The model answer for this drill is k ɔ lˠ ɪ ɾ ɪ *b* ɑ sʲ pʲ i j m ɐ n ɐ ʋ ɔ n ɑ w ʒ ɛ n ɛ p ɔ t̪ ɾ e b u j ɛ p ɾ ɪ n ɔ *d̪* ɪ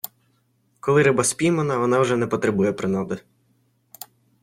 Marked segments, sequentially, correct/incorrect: correct, correct

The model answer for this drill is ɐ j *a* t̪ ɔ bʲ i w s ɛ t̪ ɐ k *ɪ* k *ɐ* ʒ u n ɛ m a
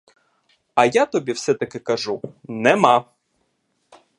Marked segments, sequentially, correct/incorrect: correct, correct, correct

